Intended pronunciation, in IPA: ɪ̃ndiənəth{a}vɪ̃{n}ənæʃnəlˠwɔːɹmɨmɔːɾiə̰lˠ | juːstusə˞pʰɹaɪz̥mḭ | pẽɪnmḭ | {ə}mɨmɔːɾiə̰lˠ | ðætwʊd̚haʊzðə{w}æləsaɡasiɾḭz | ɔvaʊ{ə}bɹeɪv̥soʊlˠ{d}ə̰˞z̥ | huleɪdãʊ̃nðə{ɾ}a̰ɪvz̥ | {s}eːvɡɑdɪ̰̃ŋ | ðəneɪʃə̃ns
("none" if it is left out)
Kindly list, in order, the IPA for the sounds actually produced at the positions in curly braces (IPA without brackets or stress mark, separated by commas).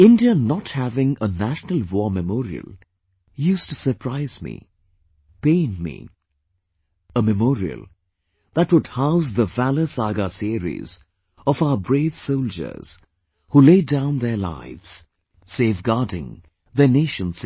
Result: æ, ŋ, ə, v, ə, d͡ʒ, l, s